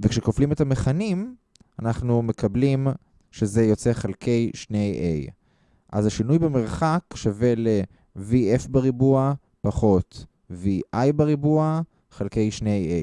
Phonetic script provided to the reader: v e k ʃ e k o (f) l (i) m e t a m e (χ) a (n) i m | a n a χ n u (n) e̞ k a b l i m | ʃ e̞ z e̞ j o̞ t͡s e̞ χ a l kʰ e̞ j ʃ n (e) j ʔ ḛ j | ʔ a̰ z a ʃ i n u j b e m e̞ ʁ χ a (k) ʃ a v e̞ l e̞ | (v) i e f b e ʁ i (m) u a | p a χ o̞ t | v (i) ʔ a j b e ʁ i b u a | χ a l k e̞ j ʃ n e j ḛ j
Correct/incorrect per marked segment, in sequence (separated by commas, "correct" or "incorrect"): correct, correct, correct, correct, incorrect, correct, correct, correct, incorrect, correct